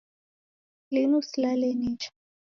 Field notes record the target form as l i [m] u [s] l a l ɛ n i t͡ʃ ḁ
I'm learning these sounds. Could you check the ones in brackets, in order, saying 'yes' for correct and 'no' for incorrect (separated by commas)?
no, yes